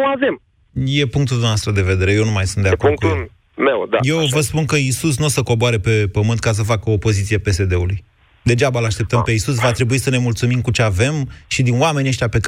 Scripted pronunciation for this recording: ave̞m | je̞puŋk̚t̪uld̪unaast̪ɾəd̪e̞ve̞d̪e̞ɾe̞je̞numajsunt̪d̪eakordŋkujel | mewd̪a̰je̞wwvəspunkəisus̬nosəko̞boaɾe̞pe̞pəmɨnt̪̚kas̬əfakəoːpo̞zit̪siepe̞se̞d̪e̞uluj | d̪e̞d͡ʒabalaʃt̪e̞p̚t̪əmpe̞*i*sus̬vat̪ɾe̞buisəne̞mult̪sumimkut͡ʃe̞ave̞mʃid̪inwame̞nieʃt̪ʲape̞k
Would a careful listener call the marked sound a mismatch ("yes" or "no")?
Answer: no